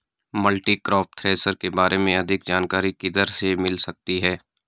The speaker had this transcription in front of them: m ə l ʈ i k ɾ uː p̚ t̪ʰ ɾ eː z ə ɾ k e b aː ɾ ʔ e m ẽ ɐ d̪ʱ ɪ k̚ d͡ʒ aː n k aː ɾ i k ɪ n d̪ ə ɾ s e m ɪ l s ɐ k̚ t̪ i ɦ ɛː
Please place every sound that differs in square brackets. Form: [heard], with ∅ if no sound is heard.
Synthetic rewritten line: m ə l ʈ i k ɾ [ɔː] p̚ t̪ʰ ɾ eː [s] ə ɾ k e b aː ɾ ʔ e m ẽ ɐ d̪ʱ ɪ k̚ d͡ʒ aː n k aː ɾ i k ɪ [∅] d̪ ə ɾ s e m ɪ l s ɐ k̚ t̪ i ɦ ɛː